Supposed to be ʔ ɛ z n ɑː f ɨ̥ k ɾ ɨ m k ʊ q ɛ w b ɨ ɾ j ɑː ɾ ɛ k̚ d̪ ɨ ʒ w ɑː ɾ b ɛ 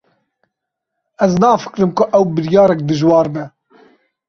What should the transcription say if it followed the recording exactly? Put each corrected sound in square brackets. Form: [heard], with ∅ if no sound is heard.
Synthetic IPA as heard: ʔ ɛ z n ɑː f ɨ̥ k ɾ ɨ m k ʊ [ʔ] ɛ w b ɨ ɾ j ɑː ɾ ɛ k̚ d̪ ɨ ʒ w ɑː ɾ b ɛ